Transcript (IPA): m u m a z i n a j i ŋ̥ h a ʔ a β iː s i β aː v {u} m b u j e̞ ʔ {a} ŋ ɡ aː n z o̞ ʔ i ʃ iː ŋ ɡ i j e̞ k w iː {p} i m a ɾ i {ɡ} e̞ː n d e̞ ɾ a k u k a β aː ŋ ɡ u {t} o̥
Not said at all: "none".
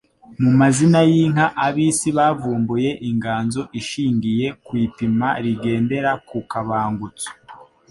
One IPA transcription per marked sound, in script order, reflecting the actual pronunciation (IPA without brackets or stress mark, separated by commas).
uː, i, p, ɡ, t͡s